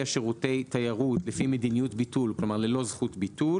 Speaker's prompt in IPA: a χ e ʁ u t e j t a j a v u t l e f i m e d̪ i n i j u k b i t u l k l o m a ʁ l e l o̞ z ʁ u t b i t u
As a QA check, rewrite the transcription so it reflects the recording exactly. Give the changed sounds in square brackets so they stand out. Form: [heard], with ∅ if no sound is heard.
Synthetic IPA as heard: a [ʃ] e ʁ u t e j t a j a [ʁ] u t l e f i m e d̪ i n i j u [t] b i t u l k l o m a ʁ l e l o̞ z [χ] u t b i t u